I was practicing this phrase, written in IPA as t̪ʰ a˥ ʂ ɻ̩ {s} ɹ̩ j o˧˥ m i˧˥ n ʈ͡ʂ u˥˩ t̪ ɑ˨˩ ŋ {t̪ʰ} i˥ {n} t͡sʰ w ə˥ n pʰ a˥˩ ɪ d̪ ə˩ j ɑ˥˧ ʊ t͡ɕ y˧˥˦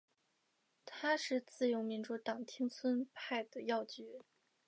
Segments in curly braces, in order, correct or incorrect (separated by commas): incorrect, correct, incorrect